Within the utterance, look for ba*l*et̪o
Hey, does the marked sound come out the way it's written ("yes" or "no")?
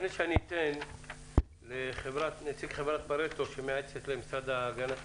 no